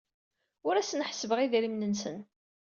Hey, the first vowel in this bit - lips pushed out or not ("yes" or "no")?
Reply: yes